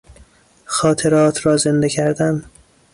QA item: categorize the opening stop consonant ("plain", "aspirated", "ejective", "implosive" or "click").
aspirated